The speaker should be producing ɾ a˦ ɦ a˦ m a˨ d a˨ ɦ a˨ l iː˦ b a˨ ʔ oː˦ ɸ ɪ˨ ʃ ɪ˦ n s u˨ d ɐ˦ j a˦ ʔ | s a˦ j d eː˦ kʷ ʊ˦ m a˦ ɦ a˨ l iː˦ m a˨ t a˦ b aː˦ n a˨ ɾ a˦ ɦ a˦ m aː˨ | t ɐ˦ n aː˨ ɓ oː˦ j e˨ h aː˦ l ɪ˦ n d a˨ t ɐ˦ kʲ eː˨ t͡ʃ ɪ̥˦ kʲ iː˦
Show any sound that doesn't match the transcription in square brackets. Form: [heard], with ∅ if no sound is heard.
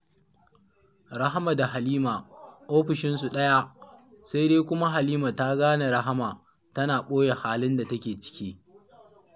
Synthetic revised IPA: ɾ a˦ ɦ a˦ m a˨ d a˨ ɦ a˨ l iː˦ [m] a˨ ʔ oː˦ ɸ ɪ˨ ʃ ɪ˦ n s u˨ [ɗ] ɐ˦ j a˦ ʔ | s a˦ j d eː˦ kʷ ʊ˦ m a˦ ɦ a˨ l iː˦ m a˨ t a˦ [ɡ] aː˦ n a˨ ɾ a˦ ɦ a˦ m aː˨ | t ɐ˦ n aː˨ ɓ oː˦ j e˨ h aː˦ l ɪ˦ n d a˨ t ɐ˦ kʲ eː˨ t͡ʃ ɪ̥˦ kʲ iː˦